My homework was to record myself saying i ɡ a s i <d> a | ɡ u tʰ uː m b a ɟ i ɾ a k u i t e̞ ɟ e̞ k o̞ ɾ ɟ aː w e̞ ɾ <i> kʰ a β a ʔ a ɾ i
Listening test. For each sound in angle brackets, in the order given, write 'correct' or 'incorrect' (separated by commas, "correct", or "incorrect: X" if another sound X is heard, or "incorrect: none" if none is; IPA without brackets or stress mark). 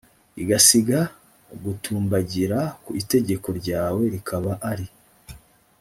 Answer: incorrect: ɡ, correct